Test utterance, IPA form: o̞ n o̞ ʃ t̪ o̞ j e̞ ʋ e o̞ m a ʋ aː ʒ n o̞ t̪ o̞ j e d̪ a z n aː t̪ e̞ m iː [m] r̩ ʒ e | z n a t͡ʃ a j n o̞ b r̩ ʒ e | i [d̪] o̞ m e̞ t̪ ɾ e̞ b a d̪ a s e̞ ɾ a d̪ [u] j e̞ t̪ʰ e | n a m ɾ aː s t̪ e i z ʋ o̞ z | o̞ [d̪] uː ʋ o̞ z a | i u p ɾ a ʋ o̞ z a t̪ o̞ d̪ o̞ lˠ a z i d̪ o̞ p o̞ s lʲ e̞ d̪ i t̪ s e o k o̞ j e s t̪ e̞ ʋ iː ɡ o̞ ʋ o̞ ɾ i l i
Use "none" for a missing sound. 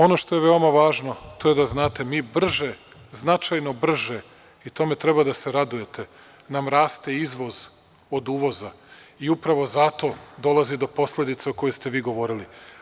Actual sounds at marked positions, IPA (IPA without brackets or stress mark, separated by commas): b, t̪, u, d̪